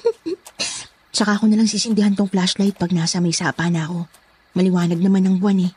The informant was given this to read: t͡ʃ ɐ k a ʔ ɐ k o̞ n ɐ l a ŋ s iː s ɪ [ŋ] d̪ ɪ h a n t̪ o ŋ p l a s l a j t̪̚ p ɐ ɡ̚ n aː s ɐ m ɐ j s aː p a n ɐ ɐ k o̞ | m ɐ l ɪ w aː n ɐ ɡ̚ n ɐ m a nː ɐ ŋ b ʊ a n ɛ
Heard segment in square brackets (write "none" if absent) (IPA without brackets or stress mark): n